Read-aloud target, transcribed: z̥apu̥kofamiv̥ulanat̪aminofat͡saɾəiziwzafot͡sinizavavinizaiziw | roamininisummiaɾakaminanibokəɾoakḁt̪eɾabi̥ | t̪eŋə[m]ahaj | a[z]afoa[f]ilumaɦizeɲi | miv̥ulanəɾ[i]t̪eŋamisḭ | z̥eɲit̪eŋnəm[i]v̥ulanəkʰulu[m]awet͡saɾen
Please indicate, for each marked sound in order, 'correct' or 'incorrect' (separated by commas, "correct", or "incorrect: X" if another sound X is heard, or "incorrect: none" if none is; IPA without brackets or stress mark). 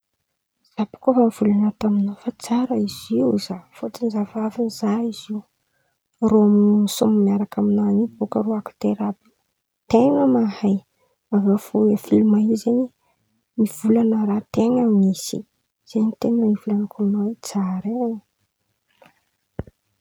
correct, incorrect: v, correct, incorrect: a, correct, incorrect: n